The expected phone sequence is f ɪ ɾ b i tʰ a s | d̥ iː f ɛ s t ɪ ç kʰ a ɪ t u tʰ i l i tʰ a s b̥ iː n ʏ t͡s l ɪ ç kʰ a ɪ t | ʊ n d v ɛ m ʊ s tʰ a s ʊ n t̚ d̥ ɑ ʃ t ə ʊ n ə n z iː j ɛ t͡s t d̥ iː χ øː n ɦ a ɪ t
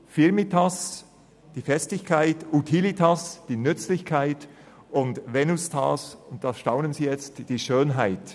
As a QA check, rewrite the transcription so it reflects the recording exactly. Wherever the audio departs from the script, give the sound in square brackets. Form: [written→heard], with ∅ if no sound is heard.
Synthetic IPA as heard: f ɪ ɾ [b→m] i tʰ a s | d̥ iː f ɛ s t ɪ ç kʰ a ɪ t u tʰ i l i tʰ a s [b̥→d̥] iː n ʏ t͡s l ɪ ç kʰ a ɪ t | ʊ n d v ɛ [m→n] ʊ s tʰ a s ʊ n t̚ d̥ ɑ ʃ t [ə→a] ʊ n ə n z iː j ɛ t͡s t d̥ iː [χ→ʃ] øː n ɦ a ɪ t